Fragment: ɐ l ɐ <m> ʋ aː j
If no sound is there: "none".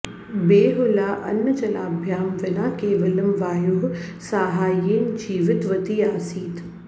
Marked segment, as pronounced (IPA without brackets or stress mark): m